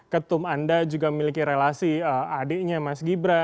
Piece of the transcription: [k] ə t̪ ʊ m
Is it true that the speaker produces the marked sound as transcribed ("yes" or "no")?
yes